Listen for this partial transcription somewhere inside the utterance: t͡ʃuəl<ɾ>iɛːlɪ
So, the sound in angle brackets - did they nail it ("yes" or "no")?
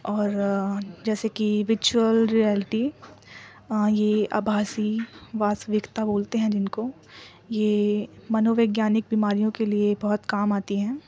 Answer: yes